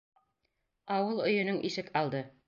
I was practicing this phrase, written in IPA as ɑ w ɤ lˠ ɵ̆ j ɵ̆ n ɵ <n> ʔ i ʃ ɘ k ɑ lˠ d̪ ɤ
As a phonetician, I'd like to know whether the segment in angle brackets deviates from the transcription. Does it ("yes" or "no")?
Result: yes